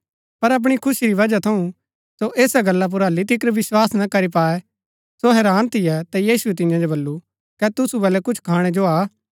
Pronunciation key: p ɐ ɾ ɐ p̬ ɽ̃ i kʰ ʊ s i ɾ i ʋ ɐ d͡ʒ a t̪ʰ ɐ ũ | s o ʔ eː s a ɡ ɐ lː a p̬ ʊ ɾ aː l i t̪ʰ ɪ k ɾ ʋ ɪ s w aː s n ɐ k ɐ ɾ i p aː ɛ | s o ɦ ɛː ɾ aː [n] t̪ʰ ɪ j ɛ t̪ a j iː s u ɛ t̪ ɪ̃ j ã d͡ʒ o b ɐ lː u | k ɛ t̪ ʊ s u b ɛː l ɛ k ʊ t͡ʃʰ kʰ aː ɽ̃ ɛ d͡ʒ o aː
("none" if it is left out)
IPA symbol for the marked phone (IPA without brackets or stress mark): n